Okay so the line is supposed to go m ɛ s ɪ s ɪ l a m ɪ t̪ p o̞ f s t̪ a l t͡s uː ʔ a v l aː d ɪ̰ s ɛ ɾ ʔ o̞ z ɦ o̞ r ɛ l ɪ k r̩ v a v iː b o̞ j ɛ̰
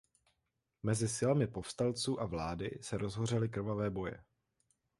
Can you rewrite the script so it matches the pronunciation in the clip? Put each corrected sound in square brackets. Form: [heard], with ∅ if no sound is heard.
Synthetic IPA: m ɛ [z] ɪ s ɪ l a m ɪ [∅] p o̞ f s t̪ a l t͡s uː ʔ a v l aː d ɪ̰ s ɛ ɾ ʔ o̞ z ɦ o̞ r ɛ l ɪ k r̩ v a v [ɛː] b o̞ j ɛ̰

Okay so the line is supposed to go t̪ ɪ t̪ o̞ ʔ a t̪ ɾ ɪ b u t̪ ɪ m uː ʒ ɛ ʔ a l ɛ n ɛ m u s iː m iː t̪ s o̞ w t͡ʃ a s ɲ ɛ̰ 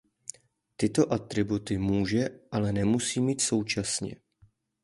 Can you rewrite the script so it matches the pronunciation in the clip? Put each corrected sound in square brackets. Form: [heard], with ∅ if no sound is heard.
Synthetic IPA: t̪ ɪ t̪ o̞ ʔ a t̪ ɾ ɪ b u t̪ ɪ m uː ʒ ɛ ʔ a l ɛ n ɛ m u s iː m iː t̪ s o̞ w t͡ʃ a s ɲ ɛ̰

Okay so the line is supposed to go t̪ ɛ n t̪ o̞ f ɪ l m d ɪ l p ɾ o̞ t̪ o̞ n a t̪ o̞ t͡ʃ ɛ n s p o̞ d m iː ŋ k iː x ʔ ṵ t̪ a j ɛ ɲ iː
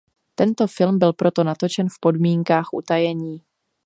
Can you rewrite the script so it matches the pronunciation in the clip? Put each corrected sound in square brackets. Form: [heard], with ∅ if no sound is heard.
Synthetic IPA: t̪ ɛ n t̪ o̞ f ɪ l m [b] ɪ l p ɾ o̞ t̪ o̞ n a t̪ o̞ t͡ʃ ɛ n [f] p o̞ d m iː ŋ k [aː] x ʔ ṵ t̪ a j ɛ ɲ iː

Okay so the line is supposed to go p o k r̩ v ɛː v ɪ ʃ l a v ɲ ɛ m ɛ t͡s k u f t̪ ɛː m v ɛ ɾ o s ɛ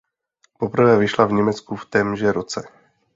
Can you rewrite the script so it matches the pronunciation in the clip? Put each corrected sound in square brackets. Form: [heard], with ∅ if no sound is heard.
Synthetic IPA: p o [p] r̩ v ɛː v ɪ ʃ l a v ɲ ɛ m ɛ t͡s k u f t̪ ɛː m [ʒ] ɛ ɾ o [t͡s] ɛ

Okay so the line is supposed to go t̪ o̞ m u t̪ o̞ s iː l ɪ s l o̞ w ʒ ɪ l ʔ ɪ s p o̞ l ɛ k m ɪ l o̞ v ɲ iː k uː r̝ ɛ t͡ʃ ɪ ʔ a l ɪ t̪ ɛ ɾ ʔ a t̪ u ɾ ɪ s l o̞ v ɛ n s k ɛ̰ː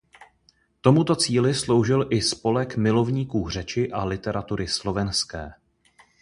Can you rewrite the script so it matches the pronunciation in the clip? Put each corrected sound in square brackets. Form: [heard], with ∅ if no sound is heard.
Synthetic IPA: t̪ o̞ m u t̪ o̞ [t͡s] iː l ɪ s l o̞ w ʒ ɪ l ʔ ɪ s p o̞ l ɛ k m ɪ l o̞ v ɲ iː k uː r̝ ɛ t͡ʃ ɪ ʔ a l ɪ t̪ ɛ ɾ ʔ a t̪ u ɾ ɪ s l o̞ v ɛ n s k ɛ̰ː

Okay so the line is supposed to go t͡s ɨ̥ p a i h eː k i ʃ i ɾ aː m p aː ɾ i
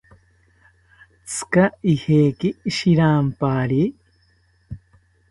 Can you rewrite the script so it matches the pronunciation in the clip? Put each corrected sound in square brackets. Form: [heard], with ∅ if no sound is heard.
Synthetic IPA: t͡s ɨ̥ [k] a i h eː k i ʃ i ɾ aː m p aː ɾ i

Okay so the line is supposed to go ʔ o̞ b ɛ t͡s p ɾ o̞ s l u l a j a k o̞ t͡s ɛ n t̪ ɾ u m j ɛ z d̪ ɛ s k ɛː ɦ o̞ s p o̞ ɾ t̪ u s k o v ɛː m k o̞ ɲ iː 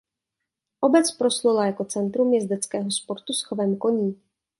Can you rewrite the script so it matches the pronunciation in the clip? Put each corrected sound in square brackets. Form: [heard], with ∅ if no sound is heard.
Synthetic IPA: ʔ o̞ b ɛ t͡s p ɾ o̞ s l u l a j a k o̞ t͡s ɛ n t̪ ɾ u m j ɛ z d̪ ɛ [t͡s] k ɛː ɦ o̞ s p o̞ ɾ t̪ u s [x] o v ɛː m k o̞ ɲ iː

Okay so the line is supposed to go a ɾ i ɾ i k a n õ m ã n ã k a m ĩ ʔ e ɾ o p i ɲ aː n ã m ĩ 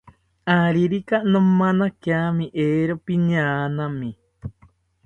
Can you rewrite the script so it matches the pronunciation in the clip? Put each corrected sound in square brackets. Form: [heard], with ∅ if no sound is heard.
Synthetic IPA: a ɾ i ɾ i k a n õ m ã n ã k a m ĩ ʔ e ɾ o p i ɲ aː n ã m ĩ

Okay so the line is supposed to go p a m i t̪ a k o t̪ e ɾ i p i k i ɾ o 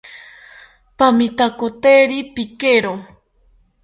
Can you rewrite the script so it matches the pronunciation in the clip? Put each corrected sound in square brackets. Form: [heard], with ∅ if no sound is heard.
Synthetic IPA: p a m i t̪ a k o t̪ e ɾ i p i k [e] ɾ o

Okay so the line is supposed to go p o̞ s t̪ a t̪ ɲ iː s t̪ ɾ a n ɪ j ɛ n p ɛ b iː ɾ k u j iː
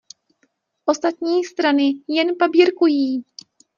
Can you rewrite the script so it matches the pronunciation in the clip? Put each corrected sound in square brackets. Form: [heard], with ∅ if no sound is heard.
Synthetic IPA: [ʔ] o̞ s t̪ a t̪ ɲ iː s t̪ ɾ a n ɪ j ɛ n p [a] b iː ɾ k u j iː

